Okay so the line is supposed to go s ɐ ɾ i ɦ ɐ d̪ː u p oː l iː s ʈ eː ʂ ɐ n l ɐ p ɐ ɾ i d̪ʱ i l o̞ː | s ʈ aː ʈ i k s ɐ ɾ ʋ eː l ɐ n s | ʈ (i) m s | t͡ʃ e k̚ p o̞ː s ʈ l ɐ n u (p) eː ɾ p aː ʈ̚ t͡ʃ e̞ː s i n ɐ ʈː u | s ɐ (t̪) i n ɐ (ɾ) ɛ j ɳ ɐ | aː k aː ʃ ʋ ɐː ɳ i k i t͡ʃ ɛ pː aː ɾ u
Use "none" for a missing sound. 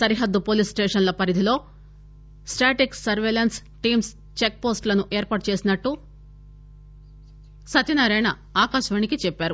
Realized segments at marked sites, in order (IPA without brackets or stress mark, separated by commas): iː, ʔ, t̪, ɾ